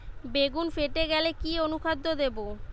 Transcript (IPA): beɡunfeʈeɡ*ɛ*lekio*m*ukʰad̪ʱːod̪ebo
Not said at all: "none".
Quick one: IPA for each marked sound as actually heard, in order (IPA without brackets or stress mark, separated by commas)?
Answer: ɛ, n